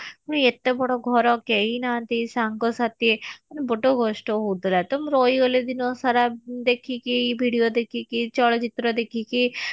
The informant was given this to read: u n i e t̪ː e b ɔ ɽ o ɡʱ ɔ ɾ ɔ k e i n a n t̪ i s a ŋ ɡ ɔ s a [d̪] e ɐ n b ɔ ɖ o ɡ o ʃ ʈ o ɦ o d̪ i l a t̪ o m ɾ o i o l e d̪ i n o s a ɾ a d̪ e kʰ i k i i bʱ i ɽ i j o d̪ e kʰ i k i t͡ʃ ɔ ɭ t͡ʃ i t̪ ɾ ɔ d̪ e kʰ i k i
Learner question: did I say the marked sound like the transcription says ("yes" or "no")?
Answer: no